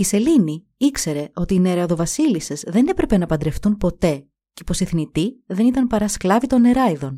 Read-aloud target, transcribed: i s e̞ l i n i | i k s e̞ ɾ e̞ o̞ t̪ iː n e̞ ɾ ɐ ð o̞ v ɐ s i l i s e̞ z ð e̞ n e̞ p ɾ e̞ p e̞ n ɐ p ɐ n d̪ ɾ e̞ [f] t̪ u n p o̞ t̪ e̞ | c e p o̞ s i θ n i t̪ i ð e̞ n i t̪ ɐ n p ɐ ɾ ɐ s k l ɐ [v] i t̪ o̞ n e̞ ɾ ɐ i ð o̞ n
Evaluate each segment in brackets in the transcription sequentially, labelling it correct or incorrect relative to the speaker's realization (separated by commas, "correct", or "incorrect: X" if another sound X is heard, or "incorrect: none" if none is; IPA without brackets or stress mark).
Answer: correct, correct